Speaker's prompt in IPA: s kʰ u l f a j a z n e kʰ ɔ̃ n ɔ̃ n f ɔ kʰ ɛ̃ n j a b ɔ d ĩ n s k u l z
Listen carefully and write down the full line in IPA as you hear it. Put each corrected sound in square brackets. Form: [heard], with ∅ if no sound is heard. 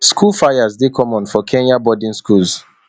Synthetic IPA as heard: s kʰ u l f a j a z [d] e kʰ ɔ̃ [m] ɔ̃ n f ɔ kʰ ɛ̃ n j a b ɔ d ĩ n s k u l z